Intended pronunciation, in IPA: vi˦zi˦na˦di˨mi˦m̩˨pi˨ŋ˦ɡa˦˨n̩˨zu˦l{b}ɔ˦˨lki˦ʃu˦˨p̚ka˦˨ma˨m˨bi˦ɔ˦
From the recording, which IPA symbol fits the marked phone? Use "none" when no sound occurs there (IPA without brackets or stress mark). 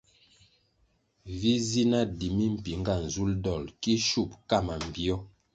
d